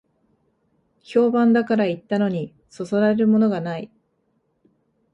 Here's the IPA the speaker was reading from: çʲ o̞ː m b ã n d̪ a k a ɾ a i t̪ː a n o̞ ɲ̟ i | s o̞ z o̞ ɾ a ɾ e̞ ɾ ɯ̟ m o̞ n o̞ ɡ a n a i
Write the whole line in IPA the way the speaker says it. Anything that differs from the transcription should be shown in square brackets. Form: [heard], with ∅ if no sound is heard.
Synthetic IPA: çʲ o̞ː [∅] b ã n d̪ a k a ɾ a i t̪ː a n o̞ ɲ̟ i | s o̞ [s] o̞ ɾ a ɾ e̞ ɾ ɯ̟ m o̞ n o̞ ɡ a n a i